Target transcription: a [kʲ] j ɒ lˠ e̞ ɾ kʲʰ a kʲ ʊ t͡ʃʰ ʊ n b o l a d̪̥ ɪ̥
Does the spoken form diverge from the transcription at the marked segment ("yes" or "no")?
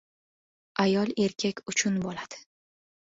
yes